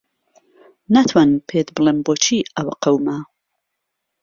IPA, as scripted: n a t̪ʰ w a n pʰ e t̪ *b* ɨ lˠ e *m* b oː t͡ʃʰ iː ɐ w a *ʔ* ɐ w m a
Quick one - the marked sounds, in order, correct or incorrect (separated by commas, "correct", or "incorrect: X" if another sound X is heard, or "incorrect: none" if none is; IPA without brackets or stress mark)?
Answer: correct, correct, incorrect: q